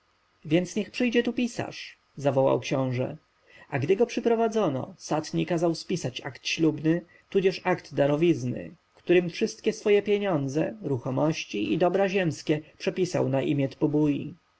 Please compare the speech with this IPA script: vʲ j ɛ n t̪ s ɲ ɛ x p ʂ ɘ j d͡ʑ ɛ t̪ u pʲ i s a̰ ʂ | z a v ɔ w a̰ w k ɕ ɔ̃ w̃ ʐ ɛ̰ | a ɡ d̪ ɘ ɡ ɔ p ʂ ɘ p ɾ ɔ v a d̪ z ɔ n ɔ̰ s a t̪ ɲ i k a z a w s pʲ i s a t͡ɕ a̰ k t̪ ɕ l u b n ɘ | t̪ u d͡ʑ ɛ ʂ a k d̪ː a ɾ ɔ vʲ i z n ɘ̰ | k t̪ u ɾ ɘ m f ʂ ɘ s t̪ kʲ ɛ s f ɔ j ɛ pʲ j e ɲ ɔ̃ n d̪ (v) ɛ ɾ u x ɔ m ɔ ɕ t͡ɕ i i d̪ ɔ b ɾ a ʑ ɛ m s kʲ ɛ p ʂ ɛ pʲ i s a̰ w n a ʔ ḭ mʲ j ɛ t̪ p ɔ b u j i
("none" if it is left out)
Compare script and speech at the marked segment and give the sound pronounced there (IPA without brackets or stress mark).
z